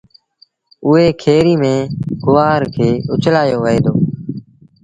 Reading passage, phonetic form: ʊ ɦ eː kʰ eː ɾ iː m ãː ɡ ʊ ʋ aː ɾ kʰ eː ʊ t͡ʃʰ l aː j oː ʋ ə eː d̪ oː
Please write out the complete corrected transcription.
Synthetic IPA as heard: ʊ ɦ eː kʰ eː ɾ iː m ẽː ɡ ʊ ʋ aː ɾ kʰ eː ʊ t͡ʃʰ l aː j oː ʋ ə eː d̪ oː